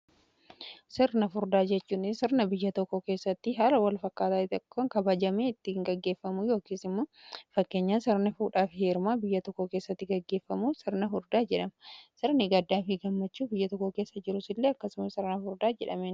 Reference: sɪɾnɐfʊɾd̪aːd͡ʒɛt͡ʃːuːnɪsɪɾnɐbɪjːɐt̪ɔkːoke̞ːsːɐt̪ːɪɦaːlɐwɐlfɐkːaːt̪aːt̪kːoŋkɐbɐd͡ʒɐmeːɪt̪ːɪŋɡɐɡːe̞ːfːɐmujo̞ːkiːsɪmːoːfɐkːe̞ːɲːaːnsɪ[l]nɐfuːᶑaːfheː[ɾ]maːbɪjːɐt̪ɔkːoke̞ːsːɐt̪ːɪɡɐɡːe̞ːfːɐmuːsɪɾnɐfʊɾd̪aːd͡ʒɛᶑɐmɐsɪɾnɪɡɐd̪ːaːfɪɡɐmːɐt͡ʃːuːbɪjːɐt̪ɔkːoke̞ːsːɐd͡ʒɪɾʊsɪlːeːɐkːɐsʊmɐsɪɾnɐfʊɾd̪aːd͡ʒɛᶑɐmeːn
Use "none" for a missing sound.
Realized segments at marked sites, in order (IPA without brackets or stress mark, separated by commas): ɾ, ɾ